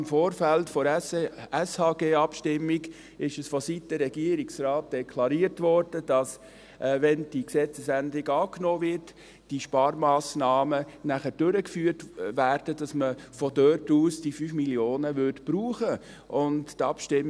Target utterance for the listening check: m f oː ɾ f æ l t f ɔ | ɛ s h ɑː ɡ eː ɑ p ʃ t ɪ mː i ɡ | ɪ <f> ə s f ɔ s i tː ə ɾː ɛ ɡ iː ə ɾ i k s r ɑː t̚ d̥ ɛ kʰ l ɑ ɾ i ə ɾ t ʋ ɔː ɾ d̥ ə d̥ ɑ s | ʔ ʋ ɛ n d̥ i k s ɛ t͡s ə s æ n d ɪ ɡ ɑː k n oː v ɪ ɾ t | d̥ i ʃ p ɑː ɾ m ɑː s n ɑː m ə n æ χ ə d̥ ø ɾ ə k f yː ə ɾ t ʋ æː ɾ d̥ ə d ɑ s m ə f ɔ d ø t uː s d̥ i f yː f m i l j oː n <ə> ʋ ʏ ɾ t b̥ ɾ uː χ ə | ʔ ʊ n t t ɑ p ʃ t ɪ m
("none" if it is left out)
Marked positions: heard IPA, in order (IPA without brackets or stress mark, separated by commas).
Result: ʃ, ə